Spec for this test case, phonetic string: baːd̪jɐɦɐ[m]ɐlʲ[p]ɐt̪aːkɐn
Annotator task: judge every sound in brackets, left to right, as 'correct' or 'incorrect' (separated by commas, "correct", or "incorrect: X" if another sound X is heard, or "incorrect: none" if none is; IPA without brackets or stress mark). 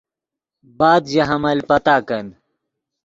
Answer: correct, correct